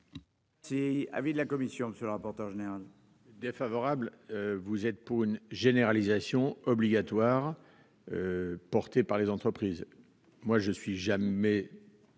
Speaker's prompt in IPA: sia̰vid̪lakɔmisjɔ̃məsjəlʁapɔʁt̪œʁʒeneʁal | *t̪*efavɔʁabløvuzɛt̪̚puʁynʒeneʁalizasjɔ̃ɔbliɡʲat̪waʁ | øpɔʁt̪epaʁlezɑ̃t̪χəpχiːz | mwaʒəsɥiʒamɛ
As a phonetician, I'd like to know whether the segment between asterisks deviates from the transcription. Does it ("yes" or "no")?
yes